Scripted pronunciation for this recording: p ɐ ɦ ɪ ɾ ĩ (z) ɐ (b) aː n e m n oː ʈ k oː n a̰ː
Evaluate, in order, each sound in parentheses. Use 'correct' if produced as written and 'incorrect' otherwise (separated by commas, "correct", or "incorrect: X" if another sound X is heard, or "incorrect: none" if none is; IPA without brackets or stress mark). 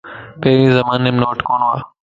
correct, incorrect: m